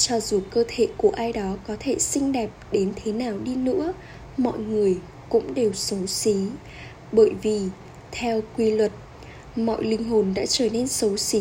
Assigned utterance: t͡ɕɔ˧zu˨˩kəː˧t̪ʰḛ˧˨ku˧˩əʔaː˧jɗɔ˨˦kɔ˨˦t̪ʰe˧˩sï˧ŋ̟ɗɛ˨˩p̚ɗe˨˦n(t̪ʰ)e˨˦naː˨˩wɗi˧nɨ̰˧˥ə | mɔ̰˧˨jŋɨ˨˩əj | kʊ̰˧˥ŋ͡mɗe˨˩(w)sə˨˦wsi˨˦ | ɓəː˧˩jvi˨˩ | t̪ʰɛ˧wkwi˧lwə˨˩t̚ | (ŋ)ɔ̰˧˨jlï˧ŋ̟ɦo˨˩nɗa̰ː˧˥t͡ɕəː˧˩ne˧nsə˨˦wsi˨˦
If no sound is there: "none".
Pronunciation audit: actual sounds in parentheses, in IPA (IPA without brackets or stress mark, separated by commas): t̪ʰ, w, m